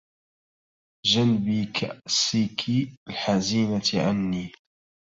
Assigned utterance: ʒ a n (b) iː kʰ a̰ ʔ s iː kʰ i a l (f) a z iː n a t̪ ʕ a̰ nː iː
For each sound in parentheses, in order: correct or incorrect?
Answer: correct, incorrect

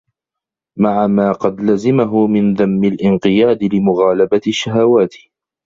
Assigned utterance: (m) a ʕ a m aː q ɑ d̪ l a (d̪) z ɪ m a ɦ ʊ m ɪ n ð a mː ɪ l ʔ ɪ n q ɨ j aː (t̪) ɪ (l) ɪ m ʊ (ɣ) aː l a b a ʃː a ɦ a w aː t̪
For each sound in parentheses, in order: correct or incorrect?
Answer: correct, incorrect, incorrect, correct, correct

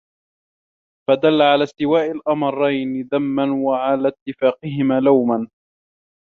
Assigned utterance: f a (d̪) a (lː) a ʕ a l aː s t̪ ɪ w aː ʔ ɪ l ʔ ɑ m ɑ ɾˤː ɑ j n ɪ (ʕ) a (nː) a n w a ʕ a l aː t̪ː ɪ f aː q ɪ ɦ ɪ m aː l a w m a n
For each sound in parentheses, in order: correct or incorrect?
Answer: correct, correct, incorrect, incorrect

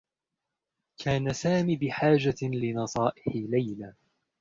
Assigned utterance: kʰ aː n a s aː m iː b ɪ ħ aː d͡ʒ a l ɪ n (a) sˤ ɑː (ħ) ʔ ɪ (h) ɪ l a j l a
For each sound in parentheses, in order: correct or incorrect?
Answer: incorrect, incorrect, incorrect

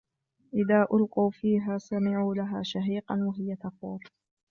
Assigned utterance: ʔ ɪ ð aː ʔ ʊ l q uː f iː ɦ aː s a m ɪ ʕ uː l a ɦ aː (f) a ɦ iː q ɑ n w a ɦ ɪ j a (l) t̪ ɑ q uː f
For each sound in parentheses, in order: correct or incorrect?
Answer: incorrect, incorrect

